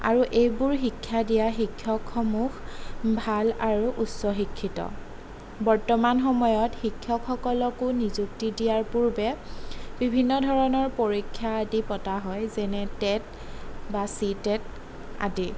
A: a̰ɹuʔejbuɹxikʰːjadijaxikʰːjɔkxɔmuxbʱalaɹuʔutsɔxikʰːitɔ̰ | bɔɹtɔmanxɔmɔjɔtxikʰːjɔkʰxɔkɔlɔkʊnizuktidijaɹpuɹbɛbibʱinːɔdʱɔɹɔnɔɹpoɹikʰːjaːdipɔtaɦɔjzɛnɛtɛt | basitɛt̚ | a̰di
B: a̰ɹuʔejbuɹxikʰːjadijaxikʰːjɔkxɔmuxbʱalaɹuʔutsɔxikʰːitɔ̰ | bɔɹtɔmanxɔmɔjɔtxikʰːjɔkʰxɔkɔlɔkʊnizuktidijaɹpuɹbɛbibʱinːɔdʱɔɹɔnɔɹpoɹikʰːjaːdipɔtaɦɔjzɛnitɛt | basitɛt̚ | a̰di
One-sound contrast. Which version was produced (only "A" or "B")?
A